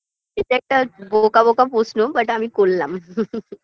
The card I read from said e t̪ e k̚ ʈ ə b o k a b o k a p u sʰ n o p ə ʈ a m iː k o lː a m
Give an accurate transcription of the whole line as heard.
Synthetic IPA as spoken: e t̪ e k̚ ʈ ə b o k a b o k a p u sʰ n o b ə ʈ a m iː k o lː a m